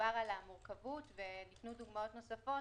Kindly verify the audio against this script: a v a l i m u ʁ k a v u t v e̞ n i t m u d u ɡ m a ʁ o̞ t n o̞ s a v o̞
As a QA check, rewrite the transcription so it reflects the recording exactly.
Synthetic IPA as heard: a ʁ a l a m u ʁ k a v u t v e̞ n i t n u d u ɡ m a o̞ t n o̞ s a f o̞